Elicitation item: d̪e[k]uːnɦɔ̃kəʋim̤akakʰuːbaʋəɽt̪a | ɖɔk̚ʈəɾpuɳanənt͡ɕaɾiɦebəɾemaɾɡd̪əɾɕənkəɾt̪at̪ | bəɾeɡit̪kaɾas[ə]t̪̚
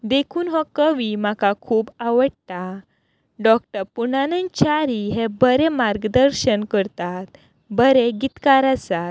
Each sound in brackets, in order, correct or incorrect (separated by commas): incorrect, incorrect